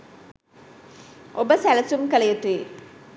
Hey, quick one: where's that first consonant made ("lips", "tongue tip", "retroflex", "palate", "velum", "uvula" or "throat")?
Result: lips